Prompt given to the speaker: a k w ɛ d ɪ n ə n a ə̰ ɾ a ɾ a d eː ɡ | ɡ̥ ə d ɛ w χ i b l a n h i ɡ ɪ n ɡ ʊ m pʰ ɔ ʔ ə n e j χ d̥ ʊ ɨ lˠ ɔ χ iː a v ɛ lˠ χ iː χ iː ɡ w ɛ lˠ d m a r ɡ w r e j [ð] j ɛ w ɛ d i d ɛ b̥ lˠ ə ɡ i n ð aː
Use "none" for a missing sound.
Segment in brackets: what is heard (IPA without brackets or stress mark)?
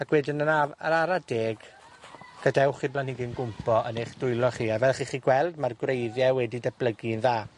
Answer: ð